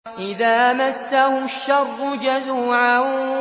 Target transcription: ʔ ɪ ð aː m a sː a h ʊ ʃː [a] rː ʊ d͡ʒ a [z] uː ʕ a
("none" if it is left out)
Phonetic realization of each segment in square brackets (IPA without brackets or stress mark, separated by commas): ɑ, z